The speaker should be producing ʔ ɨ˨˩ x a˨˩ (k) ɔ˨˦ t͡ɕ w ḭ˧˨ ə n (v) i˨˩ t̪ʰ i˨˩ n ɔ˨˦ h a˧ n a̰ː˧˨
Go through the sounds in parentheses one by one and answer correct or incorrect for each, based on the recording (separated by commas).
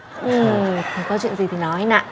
correct, incorrect